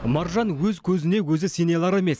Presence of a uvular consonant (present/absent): absent